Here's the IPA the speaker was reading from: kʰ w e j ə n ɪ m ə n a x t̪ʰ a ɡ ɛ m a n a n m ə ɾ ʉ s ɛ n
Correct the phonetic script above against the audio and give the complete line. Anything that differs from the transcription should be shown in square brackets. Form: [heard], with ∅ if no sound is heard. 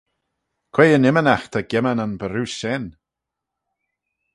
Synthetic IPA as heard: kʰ w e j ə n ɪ m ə n a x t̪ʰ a ɡ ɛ m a n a n [b] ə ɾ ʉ s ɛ n